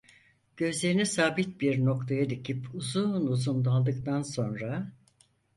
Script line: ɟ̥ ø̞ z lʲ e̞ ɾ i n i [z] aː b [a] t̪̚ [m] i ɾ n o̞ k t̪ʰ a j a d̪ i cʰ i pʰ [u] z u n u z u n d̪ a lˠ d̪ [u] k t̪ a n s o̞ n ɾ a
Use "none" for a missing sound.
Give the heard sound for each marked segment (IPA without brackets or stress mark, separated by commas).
s, i, b, u, ɯ